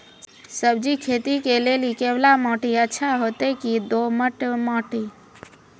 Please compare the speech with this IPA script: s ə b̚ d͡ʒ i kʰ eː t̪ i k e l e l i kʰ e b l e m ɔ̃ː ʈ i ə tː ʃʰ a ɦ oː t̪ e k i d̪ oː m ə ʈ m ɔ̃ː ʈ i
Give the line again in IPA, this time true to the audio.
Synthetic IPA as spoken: s ə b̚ d͡ʒ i kʰ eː t̪ i k e l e l i k e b l a m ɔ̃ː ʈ i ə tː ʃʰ a ɦ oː t̪ e k i d̪ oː m ə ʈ m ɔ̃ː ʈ i